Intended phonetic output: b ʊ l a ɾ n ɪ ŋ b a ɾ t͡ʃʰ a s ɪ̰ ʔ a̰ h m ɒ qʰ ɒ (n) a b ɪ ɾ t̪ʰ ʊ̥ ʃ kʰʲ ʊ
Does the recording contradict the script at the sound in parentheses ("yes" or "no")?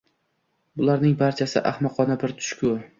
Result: no